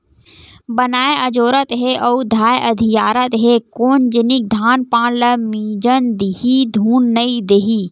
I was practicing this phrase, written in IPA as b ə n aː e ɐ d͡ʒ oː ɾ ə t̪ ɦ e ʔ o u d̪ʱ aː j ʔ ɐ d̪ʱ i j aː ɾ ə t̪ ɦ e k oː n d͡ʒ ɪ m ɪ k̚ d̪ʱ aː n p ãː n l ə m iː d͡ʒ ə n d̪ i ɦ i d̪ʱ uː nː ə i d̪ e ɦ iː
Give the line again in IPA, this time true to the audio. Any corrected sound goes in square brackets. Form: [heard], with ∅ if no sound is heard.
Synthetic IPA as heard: b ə n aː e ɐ d͡ʒ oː ɾ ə t̪ ɦ e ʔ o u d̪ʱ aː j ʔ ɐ d̪ʱ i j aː ɾ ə t̪ ɦ e k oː n d͡ʒ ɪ [n] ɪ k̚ d̪ʱ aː n p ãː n l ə m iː d͡ʒ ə n d̪ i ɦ i d̪ʱ uː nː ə i d̪ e ɦ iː